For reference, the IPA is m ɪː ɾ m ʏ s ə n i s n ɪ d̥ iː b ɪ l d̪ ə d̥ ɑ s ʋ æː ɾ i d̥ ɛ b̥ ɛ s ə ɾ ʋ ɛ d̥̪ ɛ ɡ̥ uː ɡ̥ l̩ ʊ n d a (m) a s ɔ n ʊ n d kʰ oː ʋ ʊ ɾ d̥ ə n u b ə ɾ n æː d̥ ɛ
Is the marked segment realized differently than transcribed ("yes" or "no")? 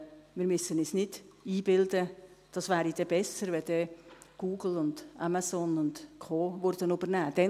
no